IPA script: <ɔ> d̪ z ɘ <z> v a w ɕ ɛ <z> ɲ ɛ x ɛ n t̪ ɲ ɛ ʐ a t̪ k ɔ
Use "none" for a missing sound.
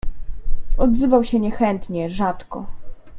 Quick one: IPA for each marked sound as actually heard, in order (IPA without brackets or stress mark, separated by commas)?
ɔ, none, none